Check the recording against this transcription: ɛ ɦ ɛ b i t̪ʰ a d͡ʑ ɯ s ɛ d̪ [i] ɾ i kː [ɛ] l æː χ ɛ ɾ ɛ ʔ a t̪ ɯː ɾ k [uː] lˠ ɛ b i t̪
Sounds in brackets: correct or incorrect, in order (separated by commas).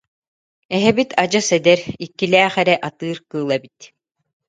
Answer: incorrect, incorrect, incorrect